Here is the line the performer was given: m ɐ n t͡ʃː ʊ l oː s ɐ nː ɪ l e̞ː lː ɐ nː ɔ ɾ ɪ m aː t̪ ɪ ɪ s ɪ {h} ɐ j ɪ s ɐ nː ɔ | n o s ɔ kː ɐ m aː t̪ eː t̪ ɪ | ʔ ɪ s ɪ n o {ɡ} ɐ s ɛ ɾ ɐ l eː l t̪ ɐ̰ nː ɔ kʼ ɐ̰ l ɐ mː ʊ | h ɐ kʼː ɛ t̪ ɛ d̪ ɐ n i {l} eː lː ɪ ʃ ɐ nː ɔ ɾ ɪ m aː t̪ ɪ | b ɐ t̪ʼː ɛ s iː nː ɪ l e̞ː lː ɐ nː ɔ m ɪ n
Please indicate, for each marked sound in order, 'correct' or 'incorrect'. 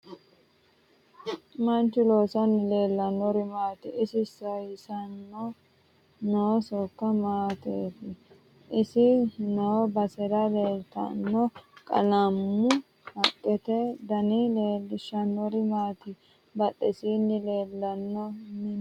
incorrect: s, incorrect: b, correct

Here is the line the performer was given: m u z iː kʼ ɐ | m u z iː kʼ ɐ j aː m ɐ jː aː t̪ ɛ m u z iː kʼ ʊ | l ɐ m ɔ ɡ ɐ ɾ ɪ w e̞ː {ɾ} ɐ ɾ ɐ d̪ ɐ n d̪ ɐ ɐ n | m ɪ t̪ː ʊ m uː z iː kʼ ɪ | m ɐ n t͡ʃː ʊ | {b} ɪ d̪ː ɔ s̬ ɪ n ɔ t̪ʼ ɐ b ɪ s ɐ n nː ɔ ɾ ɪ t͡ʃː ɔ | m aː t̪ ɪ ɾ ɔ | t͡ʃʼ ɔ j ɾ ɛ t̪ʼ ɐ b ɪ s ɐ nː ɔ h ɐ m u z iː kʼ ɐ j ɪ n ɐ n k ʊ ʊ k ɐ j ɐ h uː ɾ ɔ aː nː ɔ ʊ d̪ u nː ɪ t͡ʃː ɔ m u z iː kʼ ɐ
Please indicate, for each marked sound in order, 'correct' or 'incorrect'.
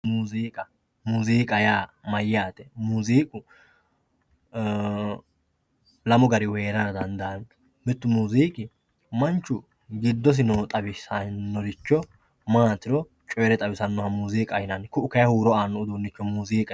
correct, incorrect: ɡ

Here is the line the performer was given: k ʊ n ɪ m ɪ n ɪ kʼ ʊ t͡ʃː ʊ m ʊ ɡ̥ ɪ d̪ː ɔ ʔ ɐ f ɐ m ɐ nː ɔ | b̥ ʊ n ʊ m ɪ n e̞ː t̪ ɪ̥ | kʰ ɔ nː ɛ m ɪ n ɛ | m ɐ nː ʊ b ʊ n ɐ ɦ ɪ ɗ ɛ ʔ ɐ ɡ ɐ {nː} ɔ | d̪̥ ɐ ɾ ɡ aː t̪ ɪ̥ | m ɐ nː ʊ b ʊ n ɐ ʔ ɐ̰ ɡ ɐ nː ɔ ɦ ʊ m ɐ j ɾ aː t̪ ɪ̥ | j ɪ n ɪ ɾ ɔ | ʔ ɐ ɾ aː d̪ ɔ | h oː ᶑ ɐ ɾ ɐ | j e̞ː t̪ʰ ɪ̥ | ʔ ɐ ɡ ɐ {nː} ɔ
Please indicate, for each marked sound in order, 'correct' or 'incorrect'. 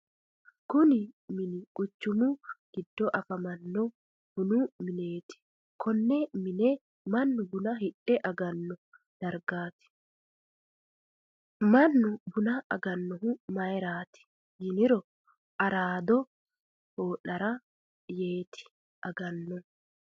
correct, correct

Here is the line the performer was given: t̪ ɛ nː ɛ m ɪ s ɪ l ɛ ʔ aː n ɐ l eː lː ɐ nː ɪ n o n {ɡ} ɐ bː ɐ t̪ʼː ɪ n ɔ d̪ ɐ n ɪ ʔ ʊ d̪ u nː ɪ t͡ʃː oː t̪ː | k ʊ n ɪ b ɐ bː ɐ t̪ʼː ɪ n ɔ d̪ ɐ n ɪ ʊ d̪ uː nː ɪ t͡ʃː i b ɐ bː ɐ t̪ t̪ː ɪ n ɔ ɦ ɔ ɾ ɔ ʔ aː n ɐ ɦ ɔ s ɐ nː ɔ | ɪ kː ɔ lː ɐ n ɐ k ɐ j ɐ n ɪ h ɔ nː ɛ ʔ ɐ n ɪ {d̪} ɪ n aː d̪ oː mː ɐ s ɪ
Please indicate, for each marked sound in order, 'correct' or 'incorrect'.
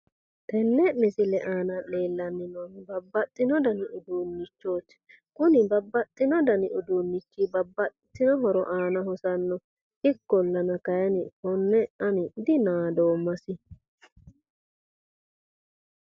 incorrect: b, correct

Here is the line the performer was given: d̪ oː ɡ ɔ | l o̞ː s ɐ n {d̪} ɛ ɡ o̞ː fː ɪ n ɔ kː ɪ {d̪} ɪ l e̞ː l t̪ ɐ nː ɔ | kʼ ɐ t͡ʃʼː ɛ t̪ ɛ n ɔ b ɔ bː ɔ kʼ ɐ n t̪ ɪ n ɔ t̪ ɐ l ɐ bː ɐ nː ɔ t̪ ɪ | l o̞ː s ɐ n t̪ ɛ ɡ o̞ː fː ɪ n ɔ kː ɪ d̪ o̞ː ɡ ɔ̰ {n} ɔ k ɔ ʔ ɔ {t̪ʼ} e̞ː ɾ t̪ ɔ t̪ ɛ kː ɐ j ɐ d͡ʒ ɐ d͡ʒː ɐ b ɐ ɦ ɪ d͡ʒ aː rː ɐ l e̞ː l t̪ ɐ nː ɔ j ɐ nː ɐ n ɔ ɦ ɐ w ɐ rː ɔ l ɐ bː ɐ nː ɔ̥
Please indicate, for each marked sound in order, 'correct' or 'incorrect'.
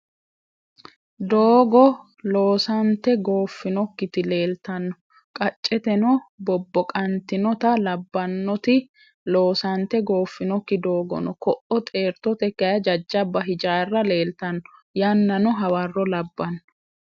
incorrect: t̪, incorrect: t̪, correct, correct

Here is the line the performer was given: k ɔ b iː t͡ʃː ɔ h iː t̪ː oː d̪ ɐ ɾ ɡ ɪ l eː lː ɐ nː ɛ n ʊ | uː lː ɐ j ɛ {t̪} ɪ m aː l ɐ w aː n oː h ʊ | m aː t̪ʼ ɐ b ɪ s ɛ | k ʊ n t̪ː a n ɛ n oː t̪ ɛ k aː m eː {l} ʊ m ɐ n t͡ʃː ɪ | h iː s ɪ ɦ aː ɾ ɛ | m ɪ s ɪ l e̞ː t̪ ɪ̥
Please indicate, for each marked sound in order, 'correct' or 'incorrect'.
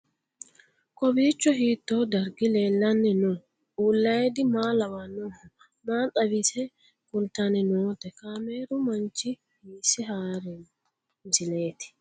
incorrect: d̪, incorrect: ɾ

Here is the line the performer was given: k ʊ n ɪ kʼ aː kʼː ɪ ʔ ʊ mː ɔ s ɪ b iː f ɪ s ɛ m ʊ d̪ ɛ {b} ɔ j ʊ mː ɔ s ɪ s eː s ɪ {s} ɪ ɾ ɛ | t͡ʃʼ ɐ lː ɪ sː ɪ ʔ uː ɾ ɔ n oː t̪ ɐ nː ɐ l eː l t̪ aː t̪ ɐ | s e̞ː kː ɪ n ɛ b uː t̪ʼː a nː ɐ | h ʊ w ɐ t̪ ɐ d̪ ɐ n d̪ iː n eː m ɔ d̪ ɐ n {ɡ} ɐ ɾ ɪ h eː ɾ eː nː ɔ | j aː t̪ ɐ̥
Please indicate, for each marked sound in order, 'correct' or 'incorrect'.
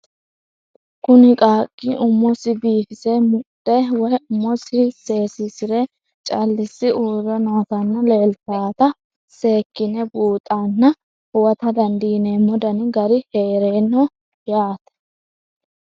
incorrect: w, correct, correct

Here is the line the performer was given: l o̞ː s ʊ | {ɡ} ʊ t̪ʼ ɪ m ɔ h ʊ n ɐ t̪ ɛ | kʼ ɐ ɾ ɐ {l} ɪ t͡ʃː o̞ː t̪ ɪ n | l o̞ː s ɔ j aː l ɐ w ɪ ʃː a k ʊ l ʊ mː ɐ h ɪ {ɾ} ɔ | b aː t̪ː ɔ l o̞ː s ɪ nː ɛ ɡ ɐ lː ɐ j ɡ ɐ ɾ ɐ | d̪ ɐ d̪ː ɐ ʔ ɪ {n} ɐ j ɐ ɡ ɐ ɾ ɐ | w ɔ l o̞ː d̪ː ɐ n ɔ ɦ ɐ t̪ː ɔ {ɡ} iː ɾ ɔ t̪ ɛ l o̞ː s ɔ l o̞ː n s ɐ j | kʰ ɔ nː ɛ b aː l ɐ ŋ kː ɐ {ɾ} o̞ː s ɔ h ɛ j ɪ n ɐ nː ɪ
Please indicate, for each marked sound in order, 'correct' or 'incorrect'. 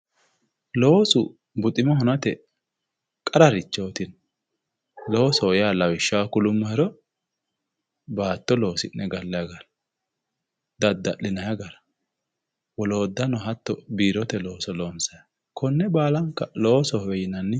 incorrect: b, incorrect: ɾ, correct, correct, incorrect: b, incorrect: l

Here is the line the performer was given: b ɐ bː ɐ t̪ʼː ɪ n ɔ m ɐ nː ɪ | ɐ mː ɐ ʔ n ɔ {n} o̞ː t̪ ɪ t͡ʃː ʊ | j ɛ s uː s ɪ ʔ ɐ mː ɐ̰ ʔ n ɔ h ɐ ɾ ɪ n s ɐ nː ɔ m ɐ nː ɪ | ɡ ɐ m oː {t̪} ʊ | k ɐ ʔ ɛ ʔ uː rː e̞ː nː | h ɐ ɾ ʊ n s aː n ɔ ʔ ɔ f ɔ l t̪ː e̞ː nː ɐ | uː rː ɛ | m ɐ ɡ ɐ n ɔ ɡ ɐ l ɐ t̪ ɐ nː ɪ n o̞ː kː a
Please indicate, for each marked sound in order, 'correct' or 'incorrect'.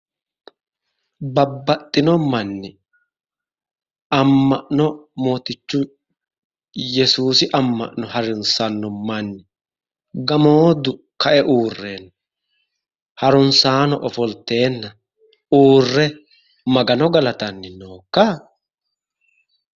incorrect: m, incorrect: d̪

